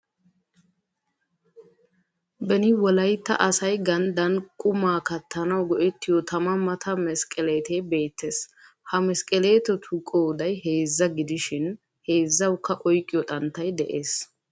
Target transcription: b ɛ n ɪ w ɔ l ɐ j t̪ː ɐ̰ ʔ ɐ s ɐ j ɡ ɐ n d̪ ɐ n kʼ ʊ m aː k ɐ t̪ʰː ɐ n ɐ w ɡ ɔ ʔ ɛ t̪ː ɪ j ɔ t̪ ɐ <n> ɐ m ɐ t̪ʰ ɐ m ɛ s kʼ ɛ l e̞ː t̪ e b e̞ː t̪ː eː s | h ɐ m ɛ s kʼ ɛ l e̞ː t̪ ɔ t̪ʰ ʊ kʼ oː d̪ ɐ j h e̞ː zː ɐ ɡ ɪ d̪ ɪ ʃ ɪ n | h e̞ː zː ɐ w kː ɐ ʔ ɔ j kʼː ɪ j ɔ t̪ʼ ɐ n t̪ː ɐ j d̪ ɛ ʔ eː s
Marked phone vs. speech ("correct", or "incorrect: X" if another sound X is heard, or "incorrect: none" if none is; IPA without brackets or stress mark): incorrect: m